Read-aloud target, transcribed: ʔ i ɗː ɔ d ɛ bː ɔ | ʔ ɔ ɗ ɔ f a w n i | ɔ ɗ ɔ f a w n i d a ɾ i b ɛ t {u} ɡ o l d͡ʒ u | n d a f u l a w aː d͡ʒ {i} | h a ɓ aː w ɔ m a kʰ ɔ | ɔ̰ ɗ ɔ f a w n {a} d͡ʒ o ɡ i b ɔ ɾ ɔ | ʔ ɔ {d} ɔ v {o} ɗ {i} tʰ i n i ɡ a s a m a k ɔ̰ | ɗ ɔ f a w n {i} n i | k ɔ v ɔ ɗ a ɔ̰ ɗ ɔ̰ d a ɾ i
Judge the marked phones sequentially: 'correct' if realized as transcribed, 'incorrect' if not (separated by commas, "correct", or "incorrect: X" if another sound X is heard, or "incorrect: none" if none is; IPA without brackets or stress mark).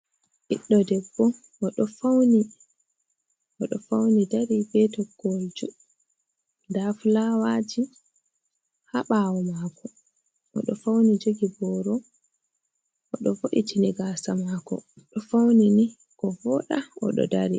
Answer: incorrect: ɔ, correct, incorrect: i, incorrect: ɗ, correct, correct, correct